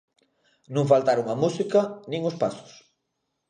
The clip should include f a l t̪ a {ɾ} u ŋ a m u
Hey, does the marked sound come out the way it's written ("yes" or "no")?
yes